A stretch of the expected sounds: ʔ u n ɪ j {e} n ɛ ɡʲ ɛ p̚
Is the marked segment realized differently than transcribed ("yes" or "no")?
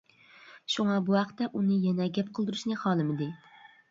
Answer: yes